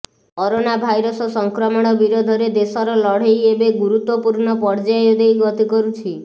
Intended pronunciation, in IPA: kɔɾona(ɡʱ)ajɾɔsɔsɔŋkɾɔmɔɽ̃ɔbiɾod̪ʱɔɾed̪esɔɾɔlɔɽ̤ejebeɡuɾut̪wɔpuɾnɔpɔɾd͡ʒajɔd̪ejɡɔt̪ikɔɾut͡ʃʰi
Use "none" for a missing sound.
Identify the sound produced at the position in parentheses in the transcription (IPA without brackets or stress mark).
bʱ